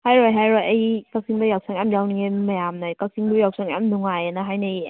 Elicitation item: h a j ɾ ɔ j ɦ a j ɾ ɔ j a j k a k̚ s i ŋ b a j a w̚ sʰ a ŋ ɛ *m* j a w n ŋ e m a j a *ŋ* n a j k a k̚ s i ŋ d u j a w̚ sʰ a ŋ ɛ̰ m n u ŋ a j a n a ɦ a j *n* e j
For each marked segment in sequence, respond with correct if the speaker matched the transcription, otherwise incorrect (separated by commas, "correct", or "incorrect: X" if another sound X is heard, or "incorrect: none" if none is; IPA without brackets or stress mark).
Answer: correct, incorrect: m, correct